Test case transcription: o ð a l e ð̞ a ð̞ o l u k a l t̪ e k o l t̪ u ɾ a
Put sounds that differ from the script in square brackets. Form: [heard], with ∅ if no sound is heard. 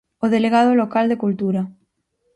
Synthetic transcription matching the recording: o ð [e] l e [ɣ̞] a ð̞ o l [o] k a l [d̪] e k [u] l t̪ u ɾ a